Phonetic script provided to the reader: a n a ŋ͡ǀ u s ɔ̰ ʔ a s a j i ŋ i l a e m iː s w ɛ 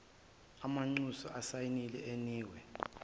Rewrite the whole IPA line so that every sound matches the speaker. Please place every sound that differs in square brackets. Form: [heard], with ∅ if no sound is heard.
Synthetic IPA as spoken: a [m] a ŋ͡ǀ u s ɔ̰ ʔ a s a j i [n] i l [ɛ] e [n] iː [∅] w ɛ